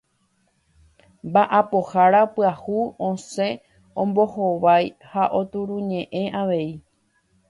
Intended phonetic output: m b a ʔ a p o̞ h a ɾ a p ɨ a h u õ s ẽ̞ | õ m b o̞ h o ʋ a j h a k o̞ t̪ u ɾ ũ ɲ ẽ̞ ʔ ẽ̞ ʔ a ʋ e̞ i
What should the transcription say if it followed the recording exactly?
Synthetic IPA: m b a ʔ a p o̞ h a ɾ a p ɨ a h u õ s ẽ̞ | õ m b o̞ h o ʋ a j h a ʔ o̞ t̪ u ɾ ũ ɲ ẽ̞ ʔ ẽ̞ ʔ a ʋ e̞ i